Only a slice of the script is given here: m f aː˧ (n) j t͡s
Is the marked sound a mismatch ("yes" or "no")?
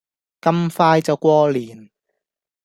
yes